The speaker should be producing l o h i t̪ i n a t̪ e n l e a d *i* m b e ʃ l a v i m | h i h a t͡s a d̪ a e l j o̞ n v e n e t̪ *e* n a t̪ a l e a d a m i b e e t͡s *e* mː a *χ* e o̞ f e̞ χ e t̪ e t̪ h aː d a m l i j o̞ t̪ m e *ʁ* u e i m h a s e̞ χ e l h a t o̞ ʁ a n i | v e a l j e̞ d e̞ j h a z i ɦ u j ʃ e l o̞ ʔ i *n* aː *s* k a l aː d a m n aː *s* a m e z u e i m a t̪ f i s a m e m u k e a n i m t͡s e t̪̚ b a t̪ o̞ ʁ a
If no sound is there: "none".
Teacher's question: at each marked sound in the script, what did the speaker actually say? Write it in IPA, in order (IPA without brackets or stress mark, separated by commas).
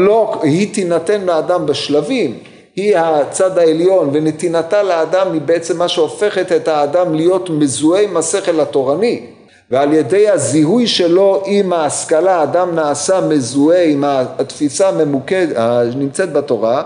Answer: a, i, e, ʃ, z, m, s, s